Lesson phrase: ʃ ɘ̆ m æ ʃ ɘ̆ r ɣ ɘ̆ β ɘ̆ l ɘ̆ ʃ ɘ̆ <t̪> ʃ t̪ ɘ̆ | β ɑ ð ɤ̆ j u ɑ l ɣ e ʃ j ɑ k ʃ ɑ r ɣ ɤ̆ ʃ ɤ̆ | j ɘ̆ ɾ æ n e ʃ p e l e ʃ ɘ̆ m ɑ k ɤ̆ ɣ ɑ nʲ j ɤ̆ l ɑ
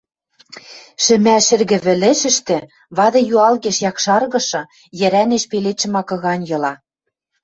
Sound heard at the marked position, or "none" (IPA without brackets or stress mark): none